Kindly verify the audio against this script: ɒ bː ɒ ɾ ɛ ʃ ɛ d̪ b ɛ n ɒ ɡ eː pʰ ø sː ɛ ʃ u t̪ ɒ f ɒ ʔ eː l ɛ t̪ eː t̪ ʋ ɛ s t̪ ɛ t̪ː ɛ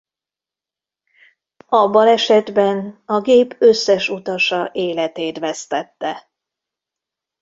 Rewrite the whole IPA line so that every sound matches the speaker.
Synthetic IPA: ɒ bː ɒ l ɛ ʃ ɛ d̪ b ɛ n ɒ ɡ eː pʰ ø sː ɛ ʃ u t̪ ɒ ʃ ɒ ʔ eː l ɛ t̪ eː t̪ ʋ ɛ s t̪ ɛ t̪ː ɛ

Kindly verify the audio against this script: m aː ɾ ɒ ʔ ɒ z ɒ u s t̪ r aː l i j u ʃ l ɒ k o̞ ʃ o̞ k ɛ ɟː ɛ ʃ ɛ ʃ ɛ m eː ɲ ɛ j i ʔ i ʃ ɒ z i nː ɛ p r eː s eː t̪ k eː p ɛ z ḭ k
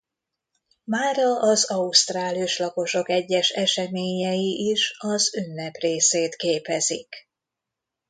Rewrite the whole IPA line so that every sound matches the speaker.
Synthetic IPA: m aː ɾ ɒ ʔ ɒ z ɒ u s t̪ r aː l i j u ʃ l ɒ k o̞ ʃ o̞ k ɛ ɟː ɛ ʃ ɛ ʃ ɛ m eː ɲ ɛ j i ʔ i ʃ ɒ z y nː ɛ p r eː s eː t̪ k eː p ɛ z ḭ k

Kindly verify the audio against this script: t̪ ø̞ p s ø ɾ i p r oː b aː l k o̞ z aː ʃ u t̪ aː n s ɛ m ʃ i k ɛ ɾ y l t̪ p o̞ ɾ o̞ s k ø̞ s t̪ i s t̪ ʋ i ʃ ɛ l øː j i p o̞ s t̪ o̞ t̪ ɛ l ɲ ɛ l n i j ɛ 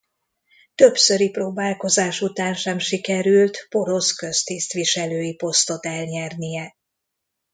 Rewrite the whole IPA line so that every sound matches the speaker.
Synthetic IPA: t̪ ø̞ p s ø ɾ i p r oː b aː l k o̞ z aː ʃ u t̪ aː n ʃ ɛ m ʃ i k ɛ ɾ y l t̪ p o̞ ɾ o̞ s k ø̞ s t̪ i s t̪ ʋ i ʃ ɛ l øː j i p o̞ s t̪ o̞ t̪ ɛ l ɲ ɛ r n i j ɛ

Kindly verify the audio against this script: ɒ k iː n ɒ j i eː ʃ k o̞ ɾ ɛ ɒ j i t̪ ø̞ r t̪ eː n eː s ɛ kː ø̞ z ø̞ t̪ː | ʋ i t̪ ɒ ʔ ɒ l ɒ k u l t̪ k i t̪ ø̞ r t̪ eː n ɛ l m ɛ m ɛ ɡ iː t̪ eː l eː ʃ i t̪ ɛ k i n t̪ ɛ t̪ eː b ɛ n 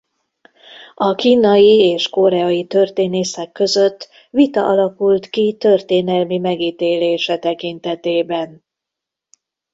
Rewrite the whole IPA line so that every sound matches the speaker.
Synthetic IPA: ɒ k iː n ɒ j i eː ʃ k o̞ ɾ ɛ ɒ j i t̪ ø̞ r t̪ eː n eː s ɛ kː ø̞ z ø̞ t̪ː | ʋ i t̪ ɒ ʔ ɒ l ɒ k u l t̪ k i t̪ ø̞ r t̪ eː n ɛ l m i m ɛ ɡ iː t̪ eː l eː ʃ ɛ t̪ ɛ k i n t̪ ɛ t̪ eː b ɛ n

